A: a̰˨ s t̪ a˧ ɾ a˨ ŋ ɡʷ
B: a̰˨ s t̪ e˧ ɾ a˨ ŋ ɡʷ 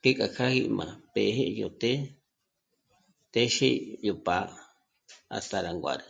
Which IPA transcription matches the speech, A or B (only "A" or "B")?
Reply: A